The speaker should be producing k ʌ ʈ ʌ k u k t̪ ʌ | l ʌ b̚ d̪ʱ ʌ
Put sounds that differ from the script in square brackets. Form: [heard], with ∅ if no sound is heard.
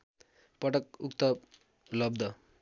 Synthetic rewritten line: [p] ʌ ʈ ʌ k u k t̪ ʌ | l ʌ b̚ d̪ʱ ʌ